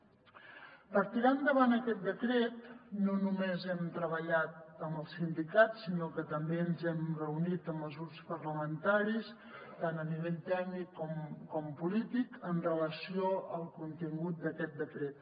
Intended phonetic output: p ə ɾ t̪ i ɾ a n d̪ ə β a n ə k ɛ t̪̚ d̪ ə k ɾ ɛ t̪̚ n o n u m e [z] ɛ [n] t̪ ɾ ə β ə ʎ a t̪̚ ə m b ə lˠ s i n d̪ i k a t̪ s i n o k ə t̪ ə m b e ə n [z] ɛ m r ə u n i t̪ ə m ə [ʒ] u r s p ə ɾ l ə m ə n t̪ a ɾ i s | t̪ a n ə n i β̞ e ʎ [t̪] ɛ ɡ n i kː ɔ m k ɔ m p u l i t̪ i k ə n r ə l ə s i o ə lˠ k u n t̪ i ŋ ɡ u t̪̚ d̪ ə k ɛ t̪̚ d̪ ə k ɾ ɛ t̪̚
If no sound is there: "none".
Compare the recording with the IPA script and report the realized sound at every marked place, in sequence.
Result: z, m, z, z, t̪

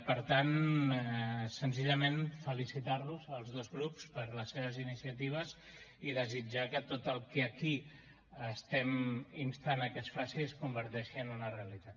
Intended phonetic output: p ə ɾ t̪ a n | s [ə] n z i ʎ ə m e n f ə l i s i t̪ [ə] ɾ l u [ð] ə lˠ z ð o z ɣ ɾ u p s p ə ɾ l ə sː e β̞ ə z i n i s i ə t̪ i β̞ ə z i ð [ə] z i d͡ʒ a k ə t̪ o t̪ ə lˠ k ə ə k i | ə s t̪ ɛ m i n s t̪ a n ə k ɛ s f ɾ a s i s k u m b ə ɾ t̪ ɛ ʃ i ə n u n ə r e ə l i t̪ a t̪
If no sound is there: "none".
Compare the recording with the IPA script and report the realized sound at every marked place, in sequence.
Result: ə, a, z, ə

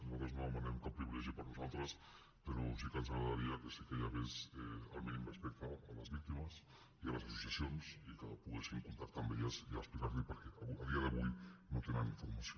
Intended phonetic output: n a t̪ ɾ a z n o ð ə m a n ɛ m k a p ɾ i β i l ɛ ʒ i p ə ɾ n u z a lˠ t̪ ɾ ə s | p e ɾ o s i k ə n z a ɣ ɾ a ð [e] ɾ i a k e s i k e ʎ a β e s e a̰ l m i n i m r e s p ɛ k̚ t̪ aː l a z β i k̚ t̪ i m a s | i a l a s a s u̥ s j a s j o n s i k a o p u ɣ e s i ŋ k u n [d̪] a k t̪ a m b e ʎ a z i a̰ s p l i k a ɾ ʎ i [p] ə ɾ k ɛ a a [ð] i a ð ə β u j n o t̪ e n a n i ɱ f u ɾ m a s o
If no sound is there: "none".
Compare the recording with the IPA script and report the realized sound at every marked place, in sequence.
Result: a, t̪, p, ð

